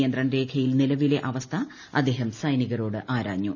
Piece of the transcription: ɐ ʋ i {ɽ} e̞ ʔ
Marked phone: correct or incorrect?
incorrect